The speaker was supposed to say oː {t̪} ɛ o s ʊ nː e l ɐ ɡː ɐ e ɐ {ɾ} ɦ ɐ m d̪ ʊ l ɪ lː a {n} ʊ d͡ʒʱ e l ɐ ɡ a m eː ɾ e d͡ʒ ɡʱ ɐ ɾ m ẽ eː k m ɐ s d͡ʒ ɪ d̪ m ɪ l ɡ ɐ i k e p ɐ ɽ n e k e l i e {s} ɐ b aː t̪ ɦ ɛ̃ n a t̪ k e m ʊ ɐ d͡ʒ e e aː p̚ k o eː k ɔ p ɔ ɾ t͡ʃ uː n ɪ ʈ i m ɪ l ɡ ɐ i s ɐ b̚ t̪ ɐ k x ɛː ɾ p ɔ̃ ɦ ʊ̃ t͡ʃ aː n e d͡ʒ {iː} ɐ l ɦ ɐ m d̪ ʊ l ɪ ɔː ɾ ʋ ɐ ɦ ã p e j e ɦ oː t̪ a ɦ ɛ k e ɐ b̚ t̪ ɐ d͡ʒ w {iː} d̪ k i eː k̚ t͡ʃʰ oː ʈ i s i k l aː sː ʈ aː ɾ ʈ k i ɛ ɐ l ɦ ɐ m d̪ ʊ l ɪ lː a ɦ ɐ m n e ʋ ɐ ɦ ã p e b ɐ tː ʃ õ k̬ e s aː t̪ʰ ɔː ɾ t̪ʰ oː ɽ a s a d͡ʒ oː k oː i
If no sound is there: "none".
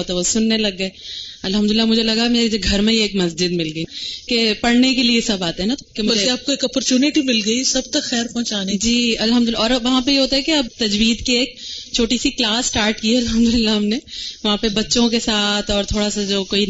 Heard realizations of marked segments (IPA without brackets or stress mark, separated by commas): t̪, l, m, s, iː, iː